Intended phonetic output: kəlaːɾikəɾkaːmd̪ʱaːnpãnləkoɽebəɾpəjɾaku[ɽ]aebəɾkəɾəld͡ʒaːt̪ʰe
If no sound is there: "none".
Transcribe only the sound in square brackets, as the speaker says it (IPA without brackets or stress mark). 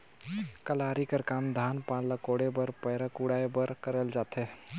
ɽ